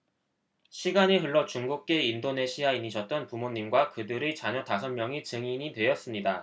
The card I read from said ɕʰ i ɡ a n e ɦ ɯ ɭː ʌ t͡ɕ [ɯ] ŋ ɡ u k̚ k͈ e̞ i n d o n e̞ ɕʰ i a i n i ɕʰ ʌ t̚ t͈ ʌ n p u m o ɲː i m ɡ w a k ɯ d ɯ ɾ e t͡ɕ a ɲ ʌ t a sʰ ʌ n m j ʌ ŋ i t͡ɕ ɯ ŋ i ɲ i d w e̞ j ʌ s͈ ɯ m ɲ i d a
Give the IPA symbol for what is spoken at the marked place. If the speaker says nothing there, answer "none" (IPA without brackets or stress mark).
u